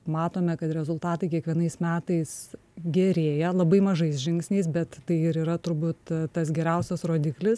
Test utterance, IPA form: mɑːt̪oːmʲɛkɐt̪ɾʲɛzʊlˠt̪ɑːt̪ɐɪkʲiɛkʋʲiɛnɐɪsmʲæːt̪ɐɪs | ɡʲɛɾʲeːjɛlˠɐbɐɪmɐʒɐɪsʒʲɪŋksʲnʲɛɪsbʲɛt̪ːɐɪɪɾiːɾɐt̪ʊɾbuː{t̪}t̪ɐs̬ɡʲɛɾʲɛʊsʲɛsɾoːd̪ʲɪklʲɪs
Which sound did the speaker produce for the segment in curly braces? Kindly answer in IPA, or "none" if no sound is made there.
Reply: t̪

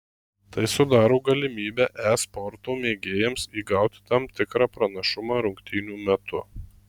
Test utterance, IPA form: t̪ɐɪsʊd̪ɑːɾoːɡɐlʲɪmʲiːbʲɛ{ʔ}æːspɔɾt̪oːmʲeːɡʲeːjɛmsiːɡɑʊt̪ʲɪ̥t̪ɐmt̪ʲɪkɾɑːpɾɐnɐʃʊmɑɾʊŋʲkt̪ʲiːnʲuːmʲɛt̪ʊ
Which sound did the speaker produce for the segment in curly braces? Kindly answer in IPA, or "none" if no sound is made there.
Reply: ʔ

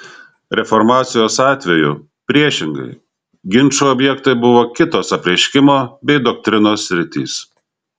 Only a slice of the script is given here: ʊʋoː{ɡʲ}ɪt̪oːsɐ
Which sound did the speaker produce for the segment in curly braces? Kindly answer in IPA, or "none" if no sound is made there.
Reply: kʲ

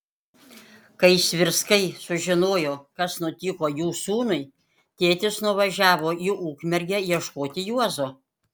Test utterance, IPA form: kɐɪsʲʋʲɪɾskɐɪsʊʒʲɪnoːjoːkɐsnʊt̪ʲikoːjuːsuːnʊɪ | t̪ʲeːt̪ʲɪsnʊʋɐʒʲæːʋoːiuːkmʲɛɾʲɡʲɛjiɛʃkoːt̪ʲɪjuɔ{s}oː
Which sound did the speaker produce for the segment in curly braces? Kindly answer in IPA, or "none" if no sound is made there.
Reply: z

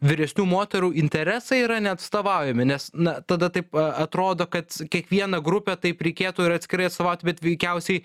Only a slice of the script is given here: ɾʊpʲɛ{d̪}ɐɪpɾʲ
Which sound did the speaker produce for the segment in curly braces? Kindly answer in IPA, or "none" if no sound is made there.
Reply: t̪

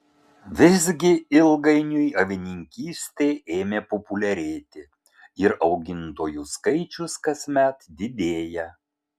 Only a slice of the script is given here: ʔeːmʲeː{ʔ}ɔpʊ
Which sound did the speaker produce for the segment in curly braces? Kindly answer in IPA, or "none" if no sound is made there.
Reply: p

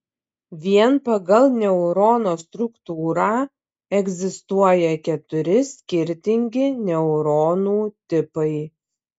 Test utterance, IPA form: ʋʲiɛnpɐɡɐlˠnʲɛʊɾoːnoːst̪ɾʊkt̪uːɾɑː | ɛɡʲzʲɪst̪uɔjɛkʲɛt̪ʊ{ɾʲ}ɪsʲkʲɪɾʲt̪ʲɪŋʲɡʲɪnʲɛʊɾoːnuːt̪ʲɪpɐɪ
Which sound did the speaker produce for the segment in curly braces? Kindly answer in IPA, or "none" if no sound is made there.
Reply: ɾʲ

